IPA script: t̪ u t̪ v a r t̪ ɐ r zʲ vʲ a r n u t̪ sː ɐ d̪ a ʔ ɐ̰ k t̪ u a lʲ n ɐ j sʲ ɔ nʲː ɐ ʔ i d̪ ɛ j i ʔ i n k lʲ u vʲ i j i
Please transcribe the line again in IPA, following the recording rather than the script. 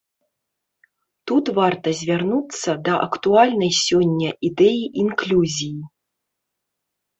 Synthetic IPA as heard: t̪ u t̪ v a r t̪ ɐ zʲ vʲ a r n u t̪ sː ɐ d̪ ɐ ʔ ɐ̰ k t̪ u a lʲ n ɐ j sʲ ɔ nʲː ɐ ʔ i d̪ ɛ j i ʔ i n k lʲ u zʲ i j i